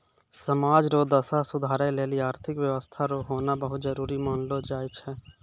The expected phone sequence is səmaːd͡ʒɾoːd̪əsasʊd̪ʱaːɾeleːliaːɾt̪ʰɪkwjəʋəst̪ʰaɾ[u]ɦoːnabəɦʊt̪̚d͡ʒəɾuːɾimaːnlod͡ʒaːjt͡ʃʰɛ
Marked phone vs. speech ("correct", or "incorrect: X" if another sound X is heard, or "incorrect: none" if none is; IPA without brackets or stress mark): incorrect: o